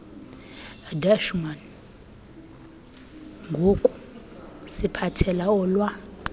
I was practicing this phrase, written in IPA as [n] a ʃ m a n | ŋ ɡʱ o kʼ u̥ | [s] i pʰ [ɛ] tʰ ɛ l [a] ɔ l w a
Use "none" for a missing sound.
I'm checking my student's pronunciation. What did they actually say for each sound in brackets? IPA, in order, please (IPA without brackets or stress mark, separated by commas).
d, s, a, a